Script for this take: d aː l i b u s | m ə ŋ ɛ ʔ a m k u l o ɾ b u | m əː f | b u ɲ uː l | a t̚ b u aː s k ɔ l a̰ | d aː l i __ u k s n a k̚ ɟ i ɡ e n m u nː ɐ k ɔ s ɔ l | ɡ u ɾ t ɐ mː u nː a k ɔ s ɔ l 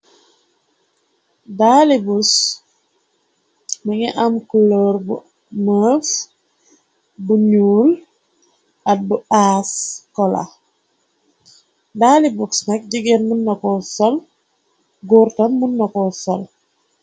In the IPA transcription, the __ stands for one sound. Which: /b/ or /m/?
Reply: b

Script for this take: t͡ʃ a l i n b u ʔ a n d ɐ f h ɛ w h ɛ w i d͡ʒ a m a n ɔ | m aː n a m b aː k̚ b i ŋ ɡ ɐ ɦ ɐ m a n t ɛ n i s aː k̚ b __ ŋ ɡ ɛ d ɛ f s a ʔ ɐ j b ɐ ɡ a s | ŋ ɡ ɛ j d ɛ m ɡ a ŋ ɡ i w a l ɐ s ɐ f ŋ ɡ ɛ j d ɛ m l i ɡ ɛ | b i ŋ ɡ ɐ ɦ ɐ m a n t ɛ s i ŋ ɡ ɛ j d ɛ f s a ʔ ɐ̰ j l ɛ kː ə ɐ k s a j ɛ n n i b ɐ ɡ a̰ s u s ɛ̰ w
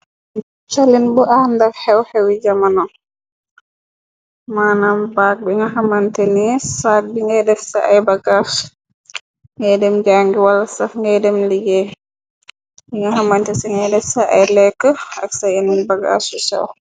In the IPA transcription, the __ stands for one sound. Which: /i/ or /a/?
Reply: i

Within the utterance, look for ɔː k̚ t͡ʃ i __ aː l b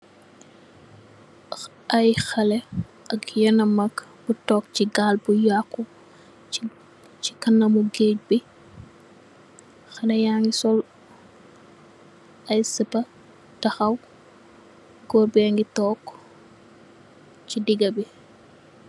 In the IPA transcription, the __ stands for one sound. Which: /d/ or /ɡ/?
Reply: ɡ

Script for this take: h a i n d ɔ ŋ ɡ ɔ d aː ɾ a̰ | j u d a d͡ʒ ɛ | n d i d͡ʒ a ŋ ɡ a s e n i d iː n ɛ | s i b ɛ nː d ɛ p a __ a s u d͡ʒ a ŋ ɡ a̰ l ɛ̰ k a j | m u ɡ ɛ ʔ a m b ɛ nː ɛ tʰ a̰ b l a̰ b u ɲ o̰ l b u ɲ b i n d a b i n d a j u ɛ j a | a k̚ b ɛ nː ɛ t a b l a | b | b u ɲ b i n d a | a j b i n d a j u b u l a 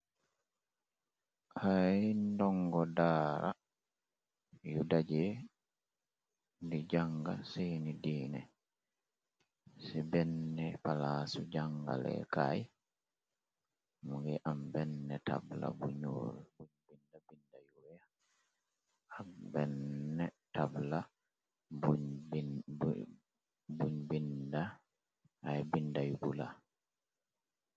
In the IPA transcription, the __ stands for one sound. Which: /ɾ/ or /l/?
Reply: l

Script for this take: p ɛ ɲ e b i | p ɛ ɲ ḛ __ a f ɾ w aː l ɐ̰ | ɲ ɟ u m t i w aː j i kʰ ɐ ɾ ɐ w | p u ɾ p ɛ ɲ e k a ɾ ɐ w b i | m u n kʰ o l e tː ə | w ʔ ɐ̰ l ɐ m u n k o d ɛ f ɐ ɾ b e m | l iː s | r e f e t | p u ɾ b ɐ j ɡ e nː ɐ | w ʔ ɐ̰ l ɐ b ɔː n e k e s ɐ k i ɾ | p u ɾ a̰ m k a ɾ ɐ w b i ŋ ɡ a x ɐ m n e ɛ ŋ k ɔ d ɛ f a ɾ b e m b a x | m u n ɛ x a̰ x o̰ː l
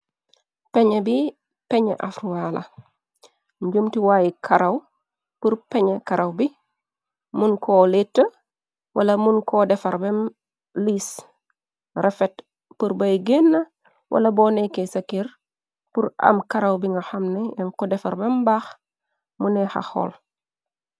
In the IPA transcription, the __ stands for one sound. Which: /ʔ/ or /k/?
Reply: ʔ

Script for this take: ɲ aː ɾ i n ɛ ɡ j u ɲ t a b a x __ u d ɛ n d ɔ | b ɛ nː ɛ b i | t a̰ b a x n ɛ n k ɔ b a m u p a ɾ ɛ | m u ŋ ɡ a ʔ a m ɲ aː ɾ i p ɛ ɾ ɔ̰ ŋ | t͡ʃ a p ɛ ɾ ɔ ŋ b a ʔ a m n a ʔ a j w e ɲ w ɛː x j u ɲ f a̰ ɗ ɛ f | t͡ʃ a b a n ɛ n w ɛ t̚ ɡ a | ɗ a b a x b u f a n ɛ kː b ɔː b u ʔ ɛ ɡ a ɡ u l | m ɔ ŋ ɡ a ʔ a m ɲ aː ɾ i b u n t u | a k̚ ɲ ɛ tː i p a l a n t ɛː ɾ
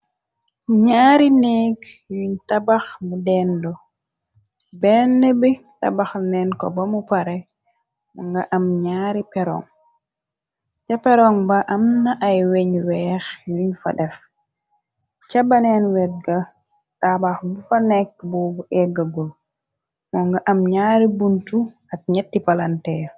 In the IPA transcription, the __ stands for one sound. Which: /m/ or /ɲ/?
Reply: m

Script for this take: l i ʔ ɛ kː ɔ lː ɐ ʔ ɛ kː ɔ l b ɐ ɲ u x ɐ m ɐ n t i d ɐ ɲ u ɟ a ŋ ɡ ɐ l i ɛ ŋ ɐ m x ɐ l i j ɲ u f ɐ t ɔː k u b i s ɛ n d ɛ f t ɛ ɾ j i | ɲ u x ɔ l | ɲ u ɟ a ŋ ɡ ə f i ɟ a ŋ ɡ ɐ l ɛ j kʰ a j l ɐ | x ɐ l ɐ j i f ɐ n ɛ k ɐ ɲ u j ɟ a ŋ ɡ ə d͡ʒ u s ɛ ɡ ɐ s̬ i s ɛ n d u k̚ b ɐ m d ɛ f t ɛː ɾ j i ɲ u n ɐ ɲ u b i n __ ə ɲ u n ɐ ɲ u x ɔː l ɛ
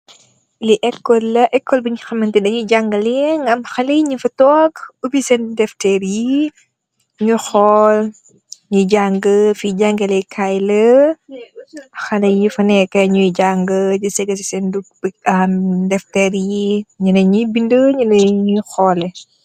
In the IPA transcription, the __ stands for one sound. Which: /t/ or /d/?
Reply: d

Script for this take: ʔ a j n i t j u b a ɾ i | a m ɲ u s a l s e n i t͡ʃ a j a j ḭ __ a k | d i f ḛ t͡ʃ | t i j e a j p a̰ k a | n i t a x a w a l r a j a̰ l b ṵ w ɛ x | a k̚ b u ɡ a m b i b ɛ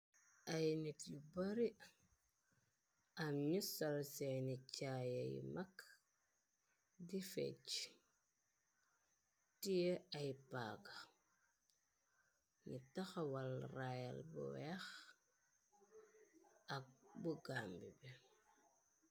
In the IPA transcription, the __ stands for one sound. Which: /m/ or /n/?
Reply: m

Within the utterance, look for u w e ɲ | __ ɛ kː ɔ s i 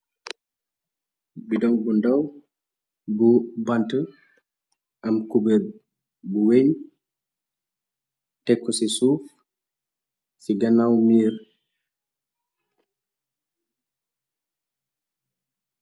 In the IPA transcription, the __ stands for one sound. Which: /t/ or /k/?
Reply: t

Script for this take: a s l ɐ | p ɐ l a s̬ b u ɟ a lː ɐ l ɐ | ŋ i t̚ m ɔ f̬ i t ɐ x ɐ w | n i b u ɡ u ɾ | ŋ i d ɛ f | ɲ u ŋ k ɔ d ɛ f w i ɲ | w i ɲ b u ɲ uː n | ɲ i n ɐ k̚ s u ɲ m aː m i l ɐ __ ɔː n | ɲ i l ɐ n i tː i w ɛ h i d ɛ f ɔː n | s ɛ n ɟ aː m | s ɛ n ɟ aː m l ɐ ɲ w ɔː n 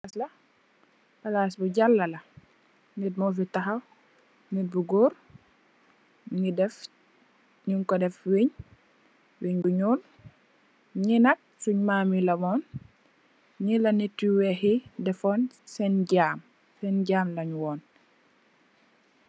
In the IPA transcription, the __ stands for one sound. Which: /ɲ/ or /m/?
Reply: m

